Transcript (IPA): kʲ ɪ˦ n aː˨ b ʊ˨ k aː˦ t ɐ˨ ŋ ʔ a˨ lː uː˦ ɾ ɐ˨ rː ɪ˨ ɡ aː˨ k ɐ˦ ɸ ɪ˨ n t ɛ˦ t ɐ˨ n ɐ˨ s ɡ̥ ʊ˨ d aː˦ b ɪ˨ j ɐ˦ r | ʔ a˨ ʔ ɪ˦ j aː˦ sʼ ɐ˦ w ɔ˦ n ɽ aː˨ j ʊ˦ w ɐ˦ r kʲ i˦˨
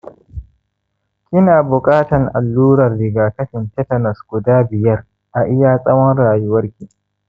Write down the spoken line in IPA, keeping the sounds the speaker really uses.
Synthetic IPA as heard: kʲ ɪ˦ n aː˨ b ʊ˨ kʼ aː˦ t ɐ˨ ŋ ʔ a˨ lː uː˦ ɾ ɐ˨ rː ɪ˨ ɡ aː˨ k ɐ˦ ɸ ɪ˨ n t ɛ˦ t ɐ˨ n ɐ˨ s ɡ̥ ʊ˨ d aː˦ b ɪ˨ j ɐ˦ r | ʔ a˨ ʔ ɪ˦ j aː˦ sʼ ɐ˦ w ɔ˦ n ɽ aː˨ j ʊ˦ w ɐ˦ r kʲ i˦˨